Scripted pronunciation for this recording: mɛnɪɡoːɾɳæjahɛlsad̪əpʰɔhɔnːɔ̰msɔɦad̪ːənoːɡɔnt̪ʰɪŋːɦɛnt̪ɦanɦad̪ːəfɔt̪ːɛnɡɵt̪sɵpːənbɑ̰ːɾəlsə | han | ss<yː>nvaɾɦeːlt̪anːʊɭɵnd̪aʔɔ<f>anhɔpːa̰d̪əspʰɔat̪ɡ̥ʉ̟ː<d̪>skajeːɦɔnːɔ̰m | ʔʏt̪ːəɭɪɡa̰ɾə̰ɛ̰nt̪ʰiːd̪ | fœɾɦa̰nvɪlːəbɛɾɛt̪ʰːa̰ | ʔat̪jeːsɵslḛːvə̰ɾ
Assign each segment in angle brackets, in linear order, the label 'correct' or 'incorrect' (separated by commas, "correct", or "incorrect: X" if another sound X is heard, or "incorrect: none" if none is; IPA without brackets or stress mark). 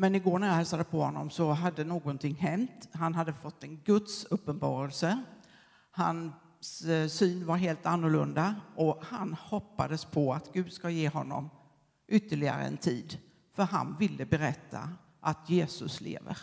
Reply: correct, incorrect: h, correct